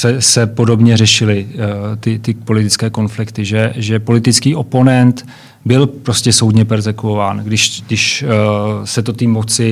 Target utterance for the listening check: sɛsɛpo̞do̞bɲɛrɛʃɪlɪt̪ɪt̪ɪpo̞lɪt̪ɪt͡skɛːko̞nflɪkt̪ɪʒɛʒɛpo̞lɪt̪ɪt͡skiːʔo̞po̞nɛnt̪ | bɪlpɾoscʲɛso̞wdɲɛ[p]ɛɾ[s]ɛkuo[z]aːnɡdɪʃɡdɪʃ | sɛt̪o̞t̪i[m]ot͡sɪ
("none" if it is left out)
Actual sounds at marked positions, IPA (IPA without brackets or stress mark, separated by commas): p, z, v, m